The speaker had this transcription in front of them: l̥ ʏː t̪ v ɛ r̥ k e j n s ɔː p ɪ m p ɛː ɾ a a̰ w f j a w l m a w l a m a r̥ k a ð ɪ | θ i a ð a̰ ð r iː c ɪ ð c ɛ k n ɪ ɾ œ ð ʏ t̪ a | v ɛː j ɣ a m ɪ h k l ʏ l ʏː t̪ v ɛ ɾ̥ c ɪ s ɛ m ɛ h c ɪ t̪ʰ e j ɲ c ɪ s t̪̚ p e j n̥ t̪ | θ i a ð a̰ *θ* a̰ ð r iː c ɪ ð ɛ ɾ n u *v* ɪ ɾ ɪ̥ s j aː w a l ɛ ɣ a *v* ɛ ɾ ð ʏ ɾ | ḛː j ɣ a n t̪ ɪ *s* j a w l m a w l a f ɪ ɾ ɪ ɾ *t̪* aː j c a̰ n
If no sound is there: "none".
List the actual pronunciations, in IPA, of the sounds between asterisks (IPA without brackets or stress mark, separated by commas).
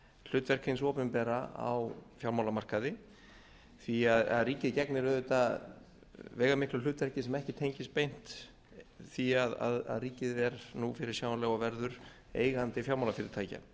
ð, f, v, f, t̪ʰ